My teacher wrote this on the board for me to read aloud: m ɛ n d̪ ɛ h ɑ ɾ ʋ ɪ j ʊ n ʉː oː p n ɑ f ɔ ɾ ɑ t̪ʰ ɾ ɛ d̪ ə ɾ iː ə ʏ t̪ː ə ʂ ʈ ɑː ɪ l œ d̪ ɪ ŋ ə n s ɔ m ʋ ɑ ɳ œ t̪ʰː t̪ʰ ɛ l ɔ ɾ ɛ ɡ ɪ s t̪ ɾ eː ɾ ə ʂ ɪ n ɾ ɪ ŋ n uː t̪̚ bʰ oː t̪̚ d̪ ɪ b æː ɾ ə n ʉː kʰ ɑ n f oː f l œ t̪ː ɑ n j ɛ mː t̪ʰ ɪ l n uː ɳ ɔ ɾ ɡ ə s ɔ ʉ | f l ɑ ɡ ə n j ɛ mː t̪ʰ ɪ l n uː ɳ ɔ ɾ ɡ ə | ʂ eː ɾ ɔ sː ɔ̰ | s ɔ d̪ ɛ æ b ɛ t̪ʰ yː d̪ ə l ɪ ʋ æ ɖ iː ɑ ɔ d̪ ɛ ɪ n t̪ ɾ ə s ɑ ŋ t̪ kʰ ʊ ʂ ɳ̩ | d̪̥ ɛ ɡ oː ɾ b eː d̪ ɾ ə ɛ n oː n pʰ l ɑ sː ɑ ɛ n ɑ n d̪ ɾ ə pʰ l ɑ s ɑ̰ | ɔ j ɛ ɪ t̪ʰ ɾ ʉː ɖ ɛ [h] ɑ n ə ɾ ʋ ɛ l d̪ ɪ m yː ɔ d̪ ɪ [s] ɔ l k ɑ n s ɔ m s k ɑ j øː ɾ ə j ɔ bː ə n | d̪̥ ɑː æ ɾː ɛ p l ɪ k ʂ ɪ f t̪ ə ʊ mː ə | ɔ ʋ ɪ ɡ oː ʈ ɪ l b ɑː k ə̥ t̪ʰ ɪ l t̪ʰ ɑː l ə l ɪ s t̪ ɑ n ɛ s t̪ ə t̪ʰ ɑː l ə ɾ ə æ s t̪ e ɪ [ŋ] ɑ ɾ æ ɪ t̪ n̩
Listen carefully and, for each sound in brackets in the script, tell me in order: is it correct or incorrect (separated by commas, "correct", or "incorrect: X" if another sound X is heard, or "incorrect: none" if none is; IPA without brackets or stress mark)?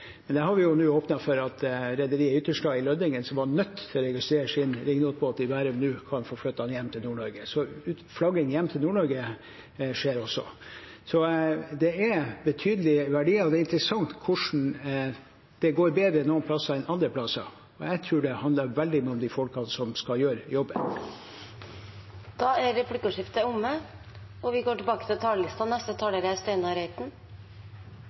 correct, incorrect: f, incorrect: n